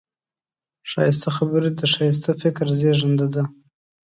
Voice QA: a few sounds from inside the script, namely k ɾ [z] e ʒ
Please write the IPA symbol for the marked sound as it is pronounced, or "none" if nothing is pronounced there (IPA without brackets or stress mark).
z